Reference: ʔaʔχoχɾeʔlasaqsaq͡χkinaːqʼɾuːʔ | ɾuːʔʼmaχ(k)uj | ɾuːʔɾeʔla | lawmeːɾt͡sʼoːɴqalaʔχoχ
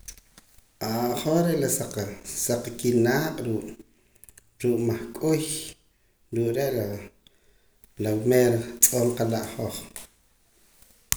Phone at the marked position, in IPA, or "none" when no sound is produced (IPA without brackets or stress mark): kʼ